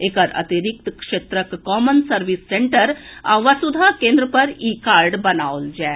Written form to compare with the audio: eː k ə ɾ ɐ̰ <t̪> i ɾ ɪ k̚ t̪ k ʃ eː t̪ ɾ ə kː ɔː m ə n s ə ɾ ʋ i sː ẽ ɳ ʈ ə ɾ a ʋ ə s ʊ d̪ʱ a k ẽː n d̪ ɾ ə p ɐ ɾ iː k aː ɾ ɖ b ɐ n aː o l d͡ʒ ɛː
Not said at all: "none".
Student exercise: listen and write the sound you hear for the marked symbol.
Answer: t̪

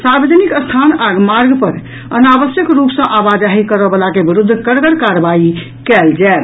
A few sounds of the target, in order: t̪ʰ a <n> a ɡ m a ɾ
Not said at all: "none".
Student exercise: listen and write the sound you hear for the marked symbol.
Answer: n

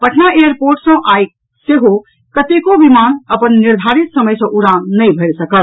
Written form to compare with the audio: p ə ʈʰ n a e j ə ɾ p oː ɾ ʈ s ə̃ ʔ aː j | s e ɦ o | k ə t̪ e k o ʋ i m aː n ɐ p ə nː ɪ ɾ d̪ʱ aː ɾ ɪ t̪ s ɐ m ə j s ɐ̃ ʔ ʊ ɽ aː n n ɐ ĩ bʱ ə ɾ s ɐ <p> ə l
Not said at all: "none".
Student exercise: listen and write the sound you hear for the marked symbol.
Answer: k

